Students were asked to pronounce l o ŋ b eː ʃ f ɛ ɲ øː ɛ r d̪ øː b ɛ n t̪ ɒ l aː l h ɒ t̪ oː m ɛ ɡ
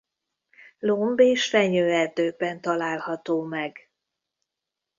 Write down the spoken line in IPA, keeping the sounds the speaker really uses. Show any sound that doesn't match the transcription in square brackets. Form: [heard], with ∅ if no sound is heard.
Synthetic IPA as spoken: l o [m] b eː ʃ f ɛ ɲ øː ɛ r d̪ øː b ɛ n t̪ ɒ l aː l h ɒ t̪ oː m ɛ ɡ